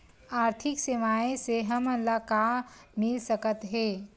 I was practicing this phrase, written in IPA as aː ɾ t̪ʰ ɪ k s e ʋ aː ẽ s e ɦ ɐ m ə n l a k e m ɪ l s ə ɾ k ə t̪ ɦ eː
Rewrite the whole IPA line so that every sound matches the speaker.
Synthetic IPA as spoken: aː ɾ t̪ʰ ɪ k s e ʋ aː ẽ s e ɦ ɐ m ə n l a k a m ɪ l s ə k ə t̪ ɦ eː